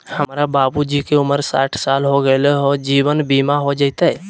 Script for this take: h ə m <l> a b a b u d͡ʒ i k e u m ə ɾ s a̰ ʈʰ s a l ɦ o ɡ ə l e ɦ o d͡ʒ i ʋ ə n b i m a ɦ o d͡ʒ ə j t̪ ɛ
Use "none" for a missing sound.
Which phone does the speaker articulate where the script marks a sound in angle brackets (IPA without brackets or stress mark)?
ɾ